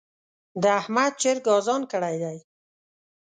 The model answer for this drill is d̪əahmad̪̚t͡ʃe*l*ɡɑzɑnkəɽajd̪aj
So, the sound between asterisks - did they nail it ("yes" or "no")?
no